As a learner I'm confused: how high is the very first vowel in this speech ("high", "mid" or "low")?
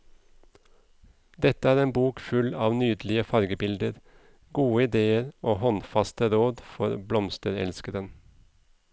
mid